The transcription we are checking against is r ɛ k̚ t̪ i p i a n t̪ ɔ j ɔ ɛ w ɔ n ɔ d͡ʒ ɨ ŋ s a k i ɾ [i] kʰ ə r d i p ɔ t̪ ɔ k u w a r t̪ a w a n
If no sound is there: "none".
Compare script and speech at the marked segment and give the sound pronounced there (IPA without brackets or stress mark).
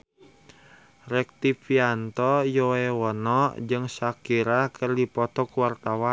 a